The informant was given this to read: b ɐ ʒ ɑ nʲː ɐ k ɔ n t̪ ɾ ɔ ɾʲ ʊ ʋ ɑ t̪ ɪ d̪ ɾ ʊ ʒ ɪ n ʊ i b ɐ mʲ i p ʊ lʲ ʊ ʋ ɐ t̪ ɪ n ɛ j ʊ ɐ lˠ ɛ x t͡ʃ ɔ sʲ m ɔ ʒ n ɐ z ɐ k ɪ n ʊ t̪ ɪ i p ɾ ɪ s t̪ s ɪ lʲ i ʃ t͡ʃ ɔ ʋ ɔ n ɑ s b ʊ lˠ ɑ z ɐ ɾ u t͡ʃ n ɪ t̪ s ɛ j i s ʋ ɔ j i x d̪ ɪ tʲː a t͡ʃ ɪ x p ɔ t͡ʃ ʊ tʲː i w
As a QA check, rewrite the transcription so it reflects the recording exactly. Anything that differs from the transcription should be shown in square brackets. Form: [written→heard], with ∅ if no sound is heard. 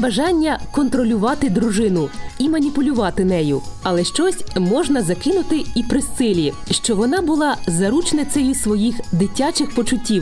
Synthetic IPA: b ɐ ʒ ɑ nʲː ɐ k ɔ n t̪ ɾ ɔ [ɾʲ→lʲ] ʊ ʋ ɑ t̪ ɪ d̪ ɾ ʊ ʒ ɪ n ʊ i [b→m] ɐ [mʲ→nʲ] i p ʊ lʲ ʊ ʋ [ɐ→ɑ] t̪ ɪ n ɛ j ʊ ɐ lˠ ɛ [x→ʃ] t͡ʃ ɔ sʲ m ɔ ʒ n ɐ z ɐ k ɪ n ʊ t̪ ɪ i p ɾ ɪ s t̪ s ɪ lʲ i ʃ t͡ʃ ɔ ʋ ɔ n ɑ [s→∅] b ʊ lˠ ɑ z ɐ ɾ u t͡ʃ n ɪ t̪ s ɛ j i s ʋ ɔ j i x d̪ ɪ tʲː a t͡ʃ ɪ x p ɔ t͡ʃ ʊ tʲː i w